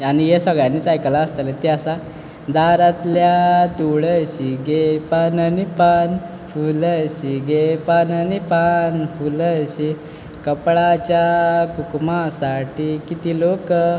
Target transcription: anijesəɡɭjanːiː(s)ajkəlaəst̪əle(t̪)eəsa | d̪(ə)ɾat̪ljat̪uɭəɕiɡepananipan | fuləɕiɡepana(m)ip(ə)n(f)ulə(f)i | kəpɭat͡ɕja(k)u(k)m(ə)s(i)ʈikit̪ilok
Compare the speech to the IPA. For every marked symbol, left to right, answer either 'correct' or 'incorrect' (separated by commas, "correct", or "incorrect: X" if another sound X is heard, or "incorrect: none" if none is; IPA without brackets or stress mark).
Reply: incorrect: t͡s, correct, incorrect: a, incorrect: n, incorrect: a, correct, incorrect: ɕ, correct, correct, incorrect: a, incorrect: a